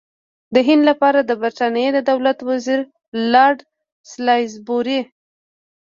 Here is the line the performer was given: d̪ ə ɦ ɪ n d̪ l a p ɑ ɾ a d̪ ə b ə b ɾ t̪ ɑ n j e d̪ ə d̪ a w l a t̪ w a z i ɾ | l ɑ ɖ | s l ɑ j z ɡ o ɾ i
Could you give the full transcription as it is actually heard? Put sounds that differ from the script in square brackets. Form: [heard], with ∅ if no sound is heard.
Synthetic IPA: d̪ ə ɦ ɪ n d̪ l a p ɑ ɾ a d̪ ə b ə [∅] ɾ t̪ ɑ n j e d̪ ə d̪ a w l a t̪ w a z i ɾ | l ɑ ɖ | s l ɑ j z [b] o ɾ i